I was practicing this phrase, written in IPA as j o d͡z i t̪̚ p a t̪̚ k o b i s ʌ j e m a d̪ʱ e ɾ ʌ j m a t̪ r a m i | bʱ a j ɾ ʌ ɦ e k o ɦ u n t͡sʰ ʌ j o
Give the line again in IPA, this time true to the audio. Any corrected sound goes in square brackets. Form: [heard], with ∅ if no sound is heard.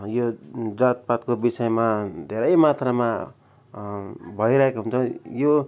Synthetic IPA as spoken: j o d͡z [a] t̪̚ p a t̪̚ k o b i s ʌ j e m a d̪ʱ e ɾ ʌ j m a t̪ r a m [a] | bʱ [ʌ] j ɾ ʌ ɦ e k o ɦ u n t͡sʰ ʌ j o